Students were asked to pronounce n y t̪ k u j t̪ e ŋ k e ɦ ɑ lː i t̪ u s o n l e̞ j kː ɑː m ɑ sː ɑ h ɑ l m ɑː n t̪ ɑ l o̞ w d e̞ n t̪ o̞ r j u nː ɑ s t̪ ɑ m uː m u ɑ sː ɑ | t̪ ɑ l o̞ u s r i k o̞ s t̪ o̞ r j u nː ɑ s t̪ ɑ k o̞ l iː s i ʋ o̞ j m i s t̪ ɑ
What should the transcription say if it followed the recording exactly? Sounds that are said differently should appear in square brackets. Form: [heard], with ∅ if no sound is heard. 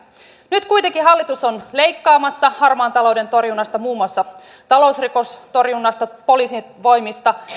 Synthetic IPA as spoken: n y t̪ k u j t̪ e ŋ k [i] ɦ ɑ lː i t̪ u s o n l e̞ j kː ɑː m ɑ sː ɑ h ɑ [r] m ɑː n t̪ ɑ l o̞ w d e̞ n t̪ o̞ r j u nː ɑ s t̪ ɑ m uː m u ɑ sː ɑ | t̪ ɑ l o̞ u s r i k o̞ s t̪ o̞ r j u nː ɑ s t̪ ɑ [p] o̞ l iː s i ʋ o̞ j m i s t̪ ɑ